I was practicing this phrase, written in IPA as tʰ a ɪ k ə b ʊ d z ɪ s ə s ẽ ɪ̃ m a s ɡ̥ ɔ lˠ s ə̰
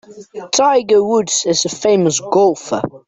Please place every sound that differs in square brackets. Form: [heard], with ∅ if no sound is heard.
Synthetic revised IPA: tʰ a ɪ [ɡ] ə [w] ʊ d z ɪ [z] ə [f] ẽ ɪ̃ m [ə] s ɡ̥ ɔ lˠ [f] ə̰